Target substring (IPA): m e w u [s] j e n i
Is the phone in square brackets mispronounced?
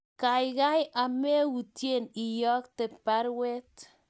yes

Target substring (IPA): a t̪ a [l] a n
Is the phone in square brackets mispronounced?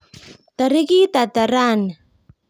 yes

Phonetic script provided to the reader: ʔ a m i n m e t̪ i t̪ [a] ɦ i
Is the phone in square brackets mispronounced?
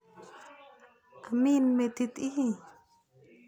yes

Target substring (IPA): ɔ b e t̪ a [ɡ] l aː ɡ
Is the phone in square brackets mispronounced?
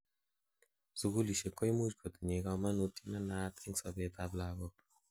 yes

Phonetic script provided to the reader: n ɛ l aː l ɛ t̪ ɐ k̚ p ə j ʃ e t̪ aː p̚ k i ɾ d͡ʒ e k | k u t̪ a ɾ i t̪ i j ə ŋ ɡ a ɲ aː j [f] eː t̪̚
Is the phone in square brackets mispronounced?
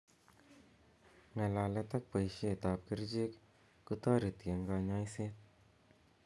yes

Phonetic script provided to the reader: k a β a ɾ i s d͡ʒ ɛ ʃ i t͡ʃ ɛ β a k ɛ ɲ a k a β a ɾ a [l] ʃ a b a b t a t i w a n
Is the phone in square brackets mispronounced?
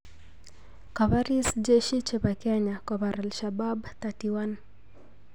no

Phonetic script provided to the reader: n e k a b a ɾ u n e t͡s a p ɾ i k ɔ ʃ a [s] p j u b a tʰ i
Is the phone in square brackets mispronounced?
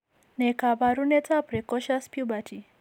no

